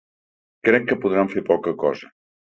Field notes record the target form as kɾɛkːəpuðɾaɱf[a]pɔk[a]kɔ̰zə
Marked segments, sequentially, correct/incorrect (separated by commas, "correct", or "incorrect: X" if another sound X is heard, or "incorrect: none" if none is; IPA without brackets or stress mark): incorrect: e, incorrect: ə